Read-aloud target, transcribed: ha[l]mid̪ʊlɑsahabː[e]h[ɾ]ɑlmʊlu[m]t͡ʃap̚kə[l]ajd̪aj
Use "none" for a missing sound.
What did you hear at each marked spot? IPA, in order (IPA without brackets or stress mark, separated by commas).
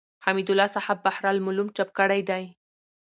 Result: none, a, ɾ, m, ɽ